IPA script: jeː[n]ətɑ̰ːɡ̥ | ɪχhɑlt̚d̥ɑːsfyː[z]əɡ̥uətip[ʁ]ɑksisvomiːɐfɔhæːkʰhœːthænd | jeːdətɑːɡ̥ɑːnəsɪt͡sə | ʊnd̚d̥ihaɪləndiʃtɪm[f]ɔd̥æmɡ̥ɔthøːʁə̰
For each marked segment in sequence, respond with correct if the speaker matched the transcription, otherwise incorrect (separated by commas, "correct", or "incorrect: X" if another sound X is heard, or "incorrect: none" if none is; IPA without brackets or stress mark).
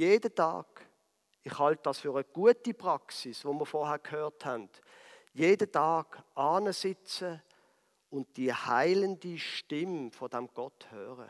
incorrect: d, incorrect: ʁ, correct, correct